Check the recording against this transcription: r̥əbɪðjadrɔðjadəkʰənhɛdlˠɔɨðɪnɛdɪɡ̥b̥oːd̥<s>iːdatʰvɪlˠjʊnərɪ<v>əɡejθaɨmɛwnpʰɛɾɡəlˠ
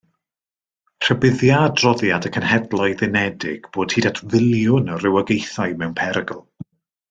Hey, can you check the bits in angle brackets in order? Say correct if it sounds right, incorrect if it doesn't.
incorrect: h, incorrect: w

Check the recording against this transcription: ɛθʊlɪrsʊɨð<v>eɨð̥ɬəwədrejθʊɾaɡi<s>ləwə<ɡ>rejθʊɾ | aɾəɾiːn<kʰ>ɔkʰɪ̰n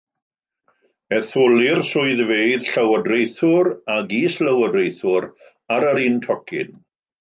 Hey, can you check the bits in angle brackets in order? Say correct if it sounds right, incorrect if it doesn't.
correct, correct, incorrect: d, incorrect: tʰ

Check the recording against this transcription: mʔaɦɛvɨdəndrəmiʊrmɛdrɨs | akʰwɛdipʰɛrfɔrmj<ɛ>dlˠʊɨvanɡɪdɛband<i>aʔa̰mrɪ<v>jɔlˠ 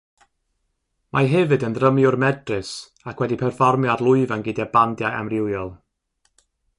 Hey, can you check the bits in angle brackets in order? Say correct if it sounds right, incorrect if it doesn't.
incorrect: a, incorrect: j, incorrect: w

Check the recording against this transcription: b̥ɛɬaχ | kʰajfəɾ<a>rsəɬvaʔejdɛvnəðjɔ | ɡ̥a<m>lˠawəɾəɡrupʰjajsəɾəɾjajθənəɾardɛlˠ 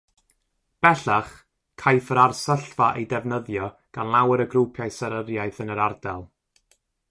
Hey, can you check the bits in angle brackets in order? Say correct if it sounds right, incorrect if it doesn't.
correct, incorrect: n

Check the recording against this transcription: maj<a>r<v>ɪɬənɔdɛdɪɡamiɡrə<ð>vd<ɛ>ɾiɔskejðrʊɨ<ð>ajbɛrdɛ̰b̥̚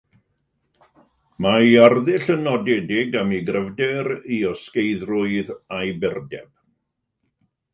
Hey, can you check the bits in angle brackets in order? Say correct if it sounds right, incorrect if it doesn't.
correct, incorrect: ð, incorrect: none, correct, correct

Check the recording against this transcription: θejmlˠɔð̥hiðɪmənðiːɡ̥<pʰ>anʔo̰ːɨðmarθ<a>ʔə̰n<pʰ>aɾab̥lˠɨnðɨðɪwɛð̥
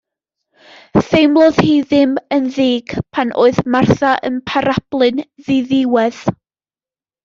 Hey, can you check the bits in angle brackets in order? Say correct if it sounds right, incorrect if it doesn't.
correct, correct, correct

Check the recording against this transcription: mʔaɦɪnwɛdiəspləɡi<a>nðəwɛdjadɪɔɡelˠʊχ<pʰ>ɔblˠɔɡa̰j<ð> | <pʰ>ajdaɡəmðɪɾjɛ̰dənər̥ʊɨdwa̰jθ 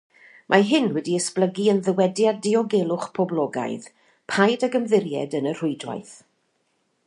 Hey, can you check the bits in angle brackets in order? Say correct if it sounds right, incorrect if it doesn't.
incorrect: ə, correct, correct, correct

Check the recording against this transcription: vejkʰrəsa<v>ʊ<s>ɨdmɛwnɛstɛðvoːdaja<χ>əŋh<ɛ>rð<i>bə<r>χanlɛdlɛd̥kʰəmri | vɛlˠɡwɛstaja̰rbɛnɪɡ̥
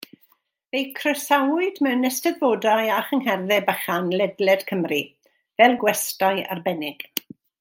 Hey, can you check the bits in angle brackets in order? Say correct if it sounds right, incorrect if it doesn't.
incorrect: w, incorrect: none, correct, correct, incorrect: ɛ, incorrect: none

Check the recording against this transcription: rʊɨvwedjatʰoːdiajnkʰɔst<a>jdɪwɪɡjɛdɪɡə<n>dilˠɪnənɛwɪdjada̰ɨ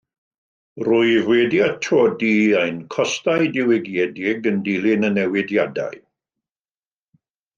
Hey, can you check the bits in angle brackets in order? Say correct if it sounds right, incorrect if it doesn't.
correct, correct

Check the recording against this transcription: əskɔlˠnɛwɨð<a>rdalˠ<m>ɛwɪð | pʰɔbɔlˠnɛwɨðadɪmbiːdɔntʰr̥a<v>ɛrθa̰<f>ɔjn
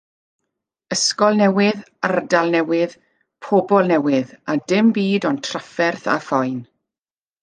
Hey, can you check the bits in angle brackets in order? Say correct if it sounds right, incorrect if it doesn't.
correct, incorrect: n, incorrect: f, correct

